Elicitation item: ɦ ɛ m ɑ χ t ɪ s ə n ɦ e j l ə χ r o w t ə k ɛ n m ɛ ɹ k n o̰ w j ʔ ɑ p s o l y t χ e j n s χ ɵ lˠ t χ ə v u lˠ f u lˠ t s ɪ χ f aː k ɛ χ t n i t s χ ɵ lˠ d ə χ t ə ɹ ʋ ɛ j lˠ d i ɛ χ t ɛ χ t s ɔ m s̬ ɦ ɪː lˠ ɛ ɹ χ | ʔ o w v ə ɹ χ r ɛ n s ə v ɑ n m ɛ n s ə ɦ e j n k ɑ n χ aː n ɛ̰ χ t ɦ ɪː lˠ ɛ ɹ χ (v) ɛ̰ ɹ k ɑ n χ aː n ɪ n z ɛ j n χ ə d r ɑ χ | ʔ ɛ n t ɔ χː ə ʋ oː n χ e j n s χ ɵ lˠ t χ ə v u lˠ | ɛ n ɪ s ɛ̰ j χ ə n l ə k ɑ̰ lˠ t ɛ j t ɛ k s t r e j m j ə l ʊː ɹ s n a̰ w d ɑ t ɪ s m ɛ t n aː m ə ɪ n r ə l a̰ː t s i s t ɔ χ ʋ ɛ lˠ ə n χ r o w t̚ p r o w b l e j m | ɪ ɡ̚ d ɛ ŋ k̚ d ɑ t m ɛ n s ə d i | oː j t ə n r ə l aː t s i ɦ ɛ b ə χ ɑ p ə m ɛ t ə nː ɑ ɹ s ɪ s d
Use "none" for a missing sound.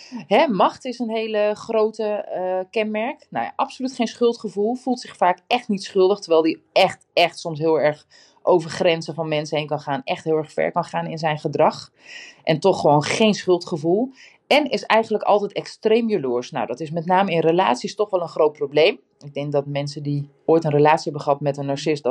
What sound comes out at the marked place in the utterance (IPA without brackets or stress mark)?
f